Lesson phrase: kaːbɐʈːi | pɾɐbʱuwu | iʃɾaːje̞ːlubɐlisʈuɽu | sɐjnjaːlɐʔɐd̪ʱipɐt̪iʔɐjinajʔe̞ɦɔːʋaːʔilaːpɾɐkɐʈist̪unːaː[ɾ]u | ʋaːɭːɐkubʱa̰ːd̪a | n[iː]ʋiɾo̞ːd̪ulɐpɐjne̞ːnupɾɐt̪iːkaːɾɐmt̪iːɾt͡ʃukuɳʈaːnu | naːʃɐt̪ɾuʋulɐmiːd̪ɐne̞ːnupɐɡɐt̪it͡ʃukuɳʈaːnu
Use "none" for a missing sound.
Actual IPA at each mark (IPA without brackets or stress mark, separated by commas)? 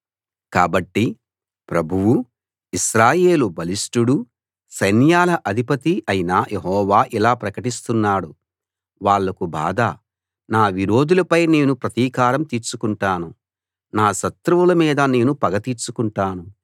ɽ, aː